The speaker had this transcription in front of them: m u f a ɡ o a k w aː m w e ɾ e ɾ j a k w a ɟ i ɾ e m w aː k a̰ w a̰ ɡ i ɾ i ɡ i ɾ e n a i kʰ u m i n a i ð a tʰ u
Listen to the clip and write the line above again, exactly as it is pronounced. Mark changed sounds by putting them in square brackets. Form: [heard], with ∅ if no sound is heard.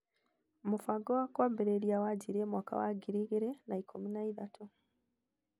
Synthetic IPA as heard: m u f a ɡ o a k w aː m [b] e ɾ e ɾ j a [∅] w a ɟ i ɾ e m w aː k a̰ w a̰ ɡ i ɾ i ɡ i ɾ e n a i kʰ u m i n a i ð a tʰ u